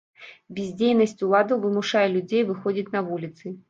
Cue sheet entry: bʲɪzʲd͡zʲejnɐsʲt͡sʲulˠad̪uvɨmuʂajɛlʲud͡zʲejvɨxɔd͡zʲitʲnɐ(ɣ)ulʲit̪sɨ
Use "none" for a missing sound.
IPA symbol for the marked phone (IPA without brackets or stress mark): v